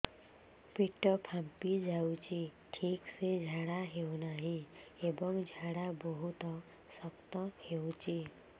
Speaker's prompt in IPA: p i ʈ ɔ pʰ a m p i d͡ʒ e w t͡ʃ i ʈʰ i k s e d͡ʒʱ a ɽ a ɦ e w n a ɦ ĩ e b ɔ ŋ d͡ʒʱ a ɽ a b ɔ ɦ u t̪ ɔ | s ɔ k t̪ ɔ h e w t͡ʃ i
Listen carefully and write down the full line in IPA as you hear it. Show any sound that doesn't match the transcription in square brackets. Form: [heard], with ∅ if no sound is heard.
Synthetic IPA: p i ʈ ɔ pʰ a m p i d͡ʒ [a] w t͡ʃ i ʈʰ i k s e d͡ʒʱ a ɽ a ɦ e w n a ɦ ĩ e b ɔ ŋ d͡ʒʱ a ɽ a b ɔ ɦ u t̪ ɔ | s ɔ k t̪ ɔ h e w t͡ʃ i